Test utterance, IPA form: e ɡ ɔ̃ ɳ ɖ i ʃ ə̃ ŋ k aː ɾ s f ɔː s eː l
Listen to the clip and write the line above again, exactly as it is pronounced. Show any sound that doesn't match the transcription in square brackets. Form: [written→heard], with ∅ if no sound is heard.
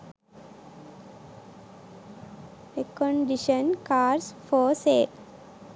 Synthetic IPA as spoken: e [ɡ→k] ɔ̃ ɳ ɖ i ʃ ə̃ [ŋ→n] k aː ɾ s f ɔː s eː l